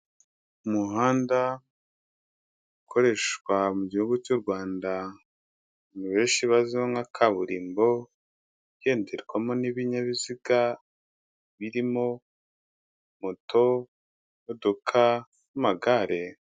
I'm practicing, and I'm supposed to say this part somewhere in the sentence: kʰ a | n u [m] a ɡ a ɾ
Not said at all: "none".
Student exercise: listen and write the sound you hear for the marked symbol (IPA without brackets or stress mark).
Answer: m